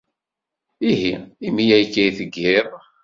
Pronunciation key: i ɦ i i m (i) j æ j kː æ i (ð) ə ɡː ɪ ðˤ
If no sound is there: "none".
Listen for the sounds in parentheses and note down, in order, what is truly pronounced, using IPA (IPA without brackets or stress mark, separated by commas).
i, θ